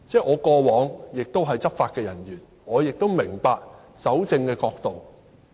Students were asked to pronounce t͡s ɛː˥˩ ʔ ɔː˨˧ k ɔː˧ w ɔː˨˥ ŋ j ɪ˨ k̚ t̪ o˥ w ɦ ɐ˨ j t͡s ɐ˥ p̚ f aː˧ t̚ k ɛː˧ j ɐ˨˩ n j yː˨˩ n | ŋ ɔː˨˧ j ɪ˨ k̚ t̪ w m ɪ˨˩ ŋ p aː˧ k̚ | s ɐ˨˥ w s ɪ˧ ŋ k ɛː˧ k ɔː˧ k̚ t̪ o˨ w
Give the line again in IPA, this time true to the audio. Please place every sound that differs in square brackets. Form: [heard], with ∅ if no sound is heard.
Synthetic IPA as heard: t͡s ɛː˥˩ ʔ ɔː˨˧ k ɔː˧ w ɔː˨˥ ŋ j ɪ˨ k̚ t̪ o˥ w ɦ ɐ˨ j t͡s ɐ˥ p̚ f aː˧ t̚ k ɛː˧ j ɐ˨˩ n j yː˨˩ n | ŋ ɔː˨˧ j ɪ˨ k̚ t̪ w m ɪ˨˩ ŋ p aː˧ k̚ | s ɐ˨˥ w [t͡s] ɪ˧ ŋ k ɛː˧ k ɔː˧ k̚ t̪ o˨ w